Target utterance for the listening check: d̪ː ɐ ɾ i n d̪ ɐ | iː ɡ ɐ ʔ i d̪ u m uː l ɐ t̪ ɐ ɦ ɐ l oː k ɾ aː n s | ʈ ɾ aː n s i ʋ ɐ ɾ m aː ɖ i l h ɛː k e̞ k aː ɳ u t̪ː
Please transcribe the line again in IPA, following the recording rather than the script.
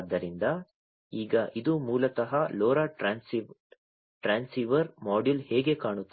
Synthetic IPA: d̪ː ɐ ɾ i n d̪ ɐ | iː ɡ ɐ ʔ i d̪ u m uː l ɐ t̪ ɐ ɦ ɐ l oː ɾ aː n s | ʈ ɾ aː n s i ʋ ɐ ɾ m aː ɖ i l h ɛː ɡ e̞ k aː ɳ u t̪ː